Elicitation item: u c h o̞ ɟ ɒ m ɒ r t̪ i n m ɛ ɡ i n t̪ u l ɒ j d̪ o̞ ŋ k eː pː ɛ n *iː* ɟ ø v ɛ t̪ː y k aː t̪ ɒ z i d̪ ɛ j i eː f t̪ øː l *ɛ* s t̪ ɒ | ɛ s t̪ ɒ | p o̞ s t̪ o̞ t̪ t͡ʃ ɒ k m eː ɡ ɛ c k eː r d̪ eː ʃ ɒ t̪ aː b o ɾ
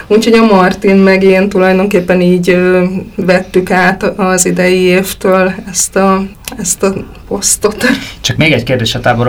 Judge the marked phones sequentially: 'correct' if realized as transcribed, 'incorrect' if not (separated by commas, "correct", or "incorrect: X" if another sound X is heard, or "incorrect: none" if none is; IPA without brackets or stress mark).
correct, correct